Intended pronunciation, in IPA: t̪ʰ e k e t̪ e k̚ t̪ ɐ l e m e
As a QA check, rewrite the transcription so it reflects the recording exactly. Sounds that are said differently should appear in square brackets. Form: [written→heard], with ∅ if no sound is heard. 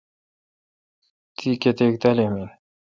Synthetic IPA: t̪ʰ [e→i] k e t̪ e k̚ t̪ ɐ l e m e